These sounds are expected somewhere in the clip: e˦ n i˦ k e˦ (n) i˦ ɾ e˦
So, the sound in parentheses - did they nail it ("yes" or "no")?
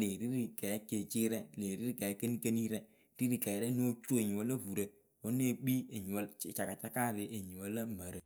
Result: yes